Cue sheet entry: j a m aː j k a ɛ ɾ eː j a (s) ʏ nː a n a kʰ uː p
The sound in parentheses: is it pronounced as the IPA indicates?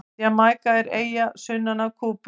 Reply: yes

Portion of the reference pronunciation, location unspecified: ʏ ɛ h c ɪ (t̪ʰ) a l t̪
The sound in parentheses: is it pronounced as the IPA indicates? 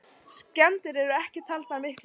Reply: yes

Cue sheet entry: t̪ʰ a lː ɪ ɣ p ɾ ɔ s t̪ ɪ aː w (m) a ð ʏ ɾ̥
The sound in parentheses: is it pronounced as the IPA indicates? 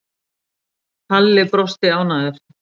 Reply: no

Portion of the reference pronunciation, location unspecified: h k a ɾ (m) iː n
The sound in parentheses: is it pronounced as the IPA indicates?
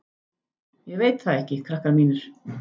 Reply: yes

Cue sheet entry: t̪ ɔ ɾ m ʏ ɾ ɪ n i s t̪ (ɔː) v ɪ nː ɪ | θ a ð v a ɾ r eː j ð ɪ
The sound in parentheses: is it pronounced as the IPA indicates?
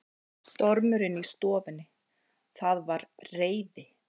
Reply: yes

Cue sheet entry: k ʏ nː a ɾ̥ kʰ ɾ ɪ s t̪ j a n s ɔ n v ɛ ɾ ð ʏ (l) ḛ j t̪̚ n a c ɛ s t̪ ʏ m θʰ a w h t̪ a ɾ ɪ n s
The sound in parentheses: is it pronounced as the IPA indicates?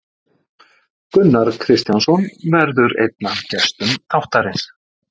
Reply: no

